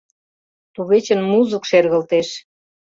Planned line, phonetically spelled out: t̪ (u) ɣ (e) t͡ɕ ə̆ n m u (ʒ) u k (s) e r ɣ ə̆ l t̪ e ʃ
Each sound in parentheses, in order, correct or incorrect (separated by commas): correct, correct, incorrect, incorrect